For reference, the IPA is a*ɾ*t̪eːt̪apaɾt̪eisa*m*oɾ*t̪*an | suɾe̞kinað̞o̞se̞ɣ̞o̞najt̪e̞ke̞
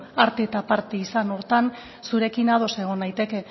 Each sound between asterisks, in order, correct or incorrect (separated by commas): correct, incorrect, correct